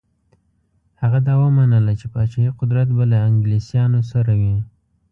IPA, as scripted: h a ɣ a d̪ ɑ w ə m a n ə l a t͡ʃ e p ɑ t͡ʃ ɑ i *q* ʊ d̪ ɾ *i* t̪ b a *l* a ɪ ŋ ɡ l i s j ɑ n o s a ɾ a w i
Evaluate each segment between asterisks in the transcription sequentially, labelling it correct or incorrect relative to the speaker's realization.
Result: correct, incorrect: a, correct

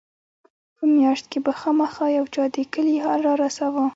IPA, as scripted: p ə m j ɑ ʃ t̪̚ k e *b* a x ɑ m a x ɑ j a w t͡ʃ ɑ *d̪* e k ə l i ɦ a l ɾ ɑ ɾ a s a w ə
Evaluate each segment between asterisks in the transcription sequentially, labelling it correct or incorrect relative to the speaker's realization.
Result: correct, correct

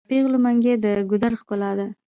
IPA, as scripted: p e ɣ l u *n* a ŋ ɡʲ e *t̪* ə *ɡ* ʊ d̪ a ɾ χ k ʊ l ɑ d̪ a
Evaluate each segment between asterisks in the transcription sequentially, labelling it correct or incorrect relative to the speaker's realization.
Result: incorrect: m, incorrect: d̪, correct

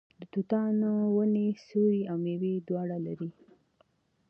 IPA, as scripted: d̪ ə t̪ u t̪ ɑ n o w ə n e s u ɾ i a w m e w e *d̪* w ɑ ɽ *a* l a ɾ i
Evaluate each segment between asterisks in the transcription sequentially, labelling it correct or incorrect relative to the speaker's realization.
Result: correct, correct

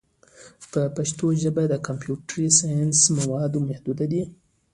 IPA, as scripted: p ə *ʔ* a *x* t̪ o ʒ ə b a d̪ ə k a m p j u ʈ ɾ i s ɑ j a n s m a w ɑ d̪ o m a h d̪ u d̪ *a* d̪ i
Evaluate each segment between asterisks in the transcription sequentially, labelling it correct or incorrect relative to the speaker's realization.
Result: incorrect: p, incorrect: ʃ, correct

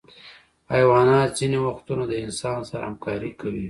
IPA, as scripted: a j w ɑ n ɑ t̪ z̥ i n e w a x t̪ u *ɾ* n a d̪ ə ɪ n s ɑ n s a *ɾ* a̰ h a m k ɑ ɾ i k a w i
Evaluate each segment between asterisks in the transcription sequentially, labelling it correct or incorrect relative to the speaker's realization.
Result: incorrect: none, correct

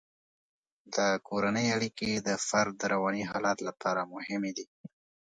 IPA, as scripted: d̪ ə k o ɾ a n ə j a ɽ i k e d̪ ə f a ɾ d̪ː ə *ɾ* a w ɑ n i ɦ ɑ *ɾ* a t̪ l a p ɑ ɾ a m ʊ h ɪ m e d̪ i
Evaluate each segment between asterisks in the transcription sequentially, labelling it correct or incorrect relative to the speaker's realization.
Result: correct, incorrect: l

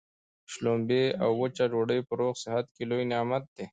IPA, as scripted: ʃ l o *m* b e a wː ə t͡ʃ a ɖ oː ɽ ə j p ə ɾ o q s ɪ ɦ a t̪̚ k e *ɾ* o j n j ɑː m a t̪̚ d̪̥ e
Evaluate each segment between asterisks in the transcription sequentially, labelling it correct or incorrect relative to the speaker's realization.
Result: correct, incorrect: l

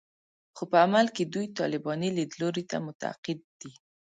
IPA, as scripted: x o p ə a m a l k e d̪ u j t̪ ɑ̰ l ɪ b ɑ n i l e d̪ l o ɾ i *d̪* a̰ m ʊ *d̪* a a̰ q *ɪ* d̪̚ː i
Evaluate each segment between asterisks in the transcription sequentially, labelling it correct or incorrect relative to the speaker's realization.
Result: incorrect: t̪, incorrect: t̪, correct

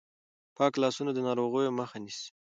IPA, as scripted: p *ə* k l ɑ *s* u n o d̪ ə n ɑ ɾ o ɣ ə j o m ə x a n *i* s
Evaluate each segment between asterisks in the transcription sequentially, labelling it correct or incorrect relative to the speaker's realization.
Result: incorrect: ɑ, correct, correct

